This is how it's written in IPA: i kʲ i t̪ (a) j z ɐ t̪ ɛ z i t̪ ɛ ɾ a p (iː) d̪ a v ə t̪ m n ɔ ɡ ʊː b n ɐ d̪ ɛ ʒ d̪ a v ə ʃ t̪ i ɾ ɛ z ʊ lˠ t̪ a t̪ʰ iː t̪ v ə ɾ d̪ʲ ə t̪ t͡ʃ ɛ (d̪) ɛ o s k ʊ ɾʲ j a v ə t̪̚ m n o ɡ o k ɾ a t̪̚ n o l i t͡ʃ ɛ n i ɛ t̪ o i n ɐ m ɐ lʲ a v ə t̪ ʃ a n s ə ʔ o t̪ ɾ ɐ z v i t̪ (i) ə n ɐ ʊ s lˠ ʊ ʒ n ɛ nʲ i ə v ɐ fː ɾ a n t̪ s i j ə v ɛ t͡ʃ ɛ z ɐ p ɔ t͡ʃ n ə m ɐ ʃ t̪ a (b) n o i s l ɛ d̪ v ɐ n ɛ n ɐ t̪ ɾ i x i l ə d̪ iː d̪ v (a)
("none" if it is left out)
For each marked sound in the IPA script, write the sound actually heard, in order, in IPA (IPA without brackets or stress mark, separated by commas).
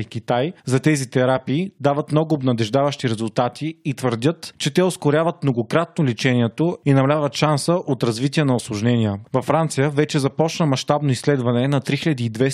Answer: a, iː, t̪, i, b, ɛ